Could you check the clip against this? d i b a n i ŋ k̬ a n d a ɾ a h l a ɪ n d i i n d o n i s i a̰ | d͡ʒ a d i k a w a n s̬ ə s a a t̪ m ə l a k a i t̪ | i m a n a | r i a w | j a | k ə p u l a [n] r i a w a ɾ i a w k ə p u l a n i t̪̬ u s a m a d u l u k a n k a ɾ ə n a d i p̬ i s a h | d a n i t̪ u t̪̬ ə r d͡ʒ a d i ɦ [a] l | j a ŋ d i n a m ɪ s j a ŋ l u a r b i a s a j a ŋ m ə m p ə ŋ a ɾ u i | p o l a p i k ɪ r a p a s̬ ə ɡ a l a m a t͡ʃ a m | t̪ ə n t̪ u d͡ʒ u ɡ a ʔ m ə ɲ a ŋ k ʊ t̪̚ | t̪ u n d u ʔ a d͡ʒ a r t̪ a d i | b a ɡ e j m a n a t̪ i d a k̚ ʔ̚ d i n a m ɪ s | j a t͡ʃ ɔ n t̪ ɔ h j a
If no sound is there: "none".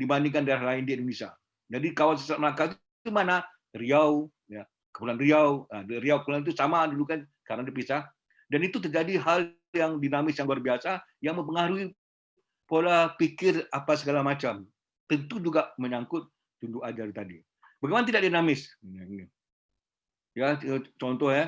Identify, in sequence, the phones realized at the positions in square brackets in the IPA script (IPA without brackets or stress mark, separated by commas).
n, a